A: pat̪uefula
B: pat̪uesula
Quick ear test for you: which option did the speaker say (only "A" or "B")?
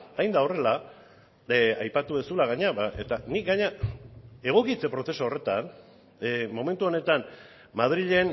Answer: B